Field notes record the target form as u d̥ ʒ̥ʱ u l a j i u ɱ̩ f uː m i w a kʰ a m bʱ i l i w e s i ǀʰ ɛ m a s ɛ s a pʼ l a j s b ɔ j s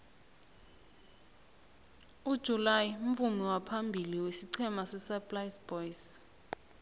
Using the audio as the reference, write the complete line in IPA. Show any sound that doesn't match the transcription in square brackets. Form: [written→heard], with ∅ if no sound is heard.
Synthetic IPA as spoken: u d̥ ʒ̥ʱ u l a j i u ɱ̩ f [uː→u] m i w a [kʰ→pʰ] a m bʱ i l i w e s i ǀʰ ɛ m a s ɛ s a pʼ l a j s b ɔ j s